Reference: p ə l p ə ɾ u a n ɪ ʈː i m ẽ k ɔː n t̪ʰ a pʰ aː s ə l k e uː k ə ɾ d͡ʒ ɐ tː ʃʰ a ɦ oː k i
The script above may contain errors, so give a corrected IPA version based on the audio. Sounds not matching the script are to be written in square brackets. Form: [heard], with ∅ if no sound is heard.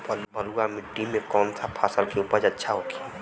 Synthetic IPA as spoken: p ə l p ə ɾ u a [m] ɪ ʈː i m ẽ k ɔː n t̪ʰ a pʰ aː s ə l k e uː [p] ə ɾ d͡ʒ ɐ tː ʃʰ a ɦ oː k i